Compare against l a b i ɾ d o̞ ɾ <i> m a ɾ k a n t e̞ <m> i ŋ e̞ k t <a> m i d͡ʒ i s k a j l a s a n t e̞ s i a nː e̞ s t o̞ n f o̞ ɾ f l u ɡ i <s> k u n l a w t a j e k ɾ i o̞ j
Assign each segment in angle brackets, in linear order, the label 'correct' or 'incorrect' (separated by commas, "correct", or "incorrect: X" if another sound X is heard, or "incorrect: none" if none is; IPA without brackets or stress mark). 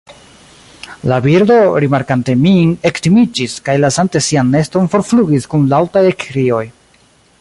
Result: correct, correct, incorrect: i, correct